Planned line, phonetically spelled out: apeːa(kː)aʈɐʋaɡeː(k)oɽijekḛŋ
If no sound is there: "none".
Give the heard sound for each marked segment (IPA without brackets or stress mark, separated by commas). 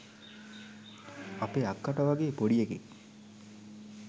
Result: kː, p